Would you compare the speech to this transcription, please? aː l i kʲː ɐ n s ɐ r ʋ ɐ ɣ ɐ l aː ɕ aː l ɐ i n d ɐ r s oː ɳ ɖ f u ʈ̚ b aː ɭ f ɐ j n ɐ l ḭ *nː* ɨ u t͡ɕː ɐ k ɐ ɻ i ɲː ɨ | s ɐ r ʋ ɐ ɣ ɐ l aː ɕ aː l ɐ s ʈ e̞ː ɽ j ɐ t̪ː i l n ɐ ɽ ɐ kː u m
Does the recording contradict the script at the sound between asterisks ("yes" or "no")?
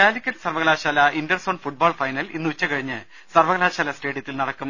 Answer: no